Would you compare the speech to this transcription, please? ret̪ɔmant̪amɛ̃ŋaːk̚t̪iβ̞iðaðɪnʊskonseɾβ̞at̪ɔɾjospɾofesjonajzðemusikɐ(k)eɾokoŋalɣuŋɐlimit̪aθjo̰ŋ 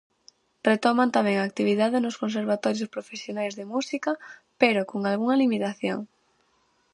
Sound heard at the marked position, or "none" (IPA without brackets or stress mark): p